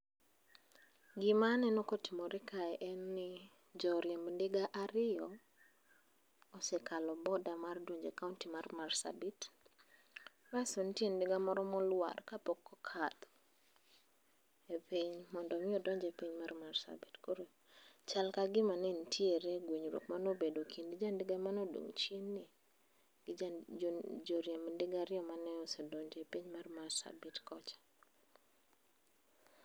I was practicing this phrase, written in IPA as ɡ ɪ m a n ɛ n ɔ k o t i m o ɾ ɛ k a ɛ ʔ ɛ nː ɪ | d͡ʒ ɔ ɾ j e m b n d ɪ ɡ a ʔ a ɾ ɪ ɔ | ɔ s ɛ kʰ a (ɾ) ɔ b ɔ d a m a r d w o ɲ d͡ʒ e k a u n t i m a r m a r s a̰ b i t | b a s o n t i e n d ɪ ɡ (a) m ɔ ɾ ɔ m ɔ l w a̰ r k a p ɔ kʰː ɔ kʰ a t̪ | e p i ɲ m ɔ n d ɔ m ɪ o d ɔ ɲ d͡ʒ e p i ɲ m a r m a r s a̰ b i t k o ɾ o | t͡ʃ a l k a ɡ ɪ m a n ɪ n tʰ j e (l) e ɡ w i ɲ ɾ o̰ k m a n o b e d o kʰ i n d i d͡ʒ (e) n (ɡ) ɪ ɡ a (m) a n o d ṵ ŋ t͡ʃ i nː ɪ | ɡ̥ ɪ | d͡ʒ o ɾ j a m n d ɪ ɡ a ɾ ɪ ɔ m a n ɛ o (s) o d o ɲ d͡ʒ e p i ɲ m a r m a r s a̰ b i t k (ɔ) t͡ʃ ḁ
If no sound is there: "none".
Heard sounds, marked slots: l, a, ɾ, a, d, m, s, ɔ

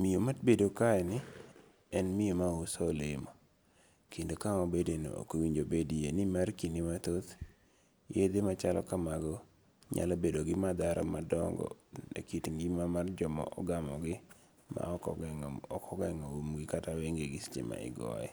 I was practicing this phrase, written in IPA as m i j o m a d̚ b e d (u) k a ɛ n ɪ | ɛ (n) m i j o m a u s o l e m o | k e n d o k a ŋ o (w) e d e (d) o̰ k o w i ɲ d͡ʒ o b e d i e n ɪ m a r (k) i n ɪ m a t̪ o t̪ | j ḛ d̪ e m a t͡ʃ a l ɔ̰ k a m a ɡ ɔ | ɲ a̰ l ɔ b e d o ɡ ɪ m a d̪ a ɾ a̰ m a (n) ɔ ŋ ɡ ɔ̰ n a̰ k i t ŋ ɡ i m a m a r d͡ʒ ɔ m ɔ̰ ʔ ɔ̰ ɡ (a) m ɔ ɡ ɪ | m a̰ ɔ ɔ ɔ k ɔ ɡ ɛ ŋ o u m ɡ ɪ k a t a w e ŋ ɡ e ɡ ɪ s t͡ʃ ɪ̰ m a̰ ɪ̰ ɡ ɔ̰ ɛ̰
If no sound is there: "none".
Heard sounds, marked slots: o, n, b, n, k, d, a

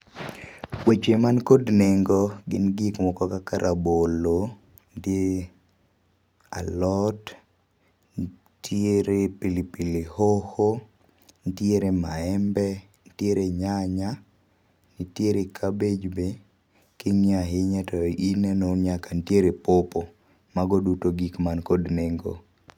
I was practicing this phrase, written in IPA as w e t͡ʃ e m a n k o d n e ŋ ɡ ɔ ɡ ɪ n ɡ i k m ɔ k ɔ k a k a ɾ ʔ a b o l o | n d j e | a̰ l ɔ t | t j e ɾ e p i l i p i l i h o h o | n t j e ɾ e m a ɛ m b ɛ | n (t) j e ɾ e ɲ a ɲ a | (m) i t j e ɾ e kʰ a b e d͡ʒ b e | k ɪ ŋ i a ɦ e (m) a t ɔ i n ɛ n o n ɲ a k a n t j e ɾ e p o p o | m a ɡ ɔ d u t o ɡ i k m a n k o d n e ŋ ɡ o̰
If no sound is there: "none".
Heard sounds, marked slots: t, n, ɲ

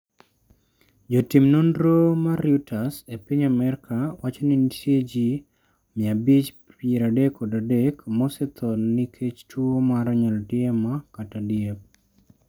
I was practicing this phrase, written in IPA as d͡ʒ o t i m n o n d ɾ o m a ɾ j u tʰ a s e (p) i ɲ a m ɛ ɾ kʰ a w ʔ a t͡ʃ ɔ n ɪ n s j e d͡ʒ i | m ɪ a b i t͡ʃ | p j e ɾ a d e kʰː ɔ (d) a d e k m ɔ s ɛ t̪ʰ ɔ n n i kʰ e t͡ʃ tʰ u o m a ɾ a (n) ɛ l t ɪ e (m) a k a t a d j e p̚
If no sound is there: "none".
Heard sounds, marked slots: p, d, ɲ, m

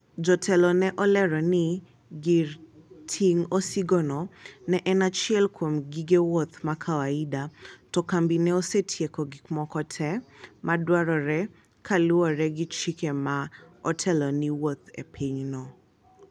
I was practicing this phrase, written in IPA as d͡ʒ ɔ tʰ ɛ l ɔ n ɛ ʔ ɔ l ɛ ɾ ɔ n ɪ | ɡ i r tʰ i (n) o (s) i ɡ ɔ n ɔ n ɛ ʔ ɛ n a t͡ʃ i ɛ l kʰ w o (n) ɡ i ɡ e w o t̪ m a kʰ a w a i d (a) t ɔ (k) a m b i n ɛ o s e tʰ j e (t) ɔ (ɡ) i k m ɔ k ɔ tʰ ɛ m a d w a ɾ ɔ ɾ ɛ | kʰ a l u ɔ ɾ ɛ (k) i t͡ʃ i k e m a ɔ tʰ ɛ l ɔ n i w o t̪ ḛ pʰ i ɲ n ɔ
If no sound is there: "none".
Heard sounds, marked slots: ŋ, s, m, a, k, k, ɡ, ɡ

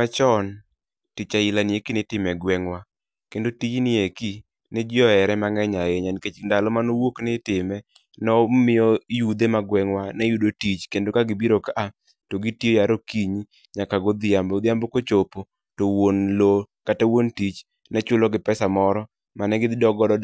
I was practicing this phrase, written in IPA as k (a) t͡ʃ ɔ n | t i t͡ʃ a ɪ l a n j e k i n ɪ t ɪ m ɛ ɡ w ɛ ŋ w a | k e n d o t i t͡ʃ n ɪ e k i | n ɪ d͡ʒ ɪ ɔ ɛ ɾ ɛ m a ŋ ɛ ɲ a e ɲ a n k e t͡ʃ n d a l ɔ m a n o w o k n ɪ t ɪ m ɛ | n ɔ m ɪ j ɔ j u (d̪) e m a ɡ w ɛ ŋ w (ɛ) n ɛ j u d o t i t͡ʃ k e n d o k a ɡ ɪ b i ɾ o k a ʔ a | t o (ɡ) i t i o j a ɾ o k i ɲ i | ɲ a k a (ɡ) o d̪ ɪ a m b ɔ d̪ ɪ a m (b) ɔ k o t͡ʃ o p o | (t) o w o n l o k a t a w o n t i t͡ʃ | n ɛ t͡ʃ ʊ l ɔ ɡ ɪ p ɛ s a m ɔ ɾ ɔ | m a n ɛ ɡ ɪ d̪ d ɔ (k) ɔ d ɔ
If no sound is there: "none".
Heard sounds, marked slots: a, d̪, a, ɡ, ɡ, b, t, ɡ

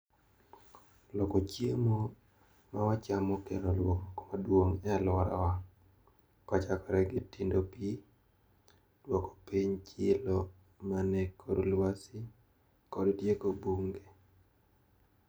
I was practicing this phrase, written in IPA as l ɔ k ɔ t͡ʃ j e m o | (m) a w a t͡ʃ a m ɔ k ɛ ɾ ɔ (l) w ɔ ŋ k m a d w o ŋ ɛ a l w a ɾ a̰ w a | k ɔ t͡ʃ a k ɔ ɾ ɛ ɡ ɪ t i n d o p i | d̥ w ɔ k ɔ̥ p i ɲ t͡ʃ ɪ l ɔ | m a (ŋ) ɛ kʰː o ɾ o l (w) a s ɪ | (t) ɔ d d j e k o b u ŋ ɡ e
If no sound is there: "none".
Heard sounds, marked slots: m, l, n, w, k

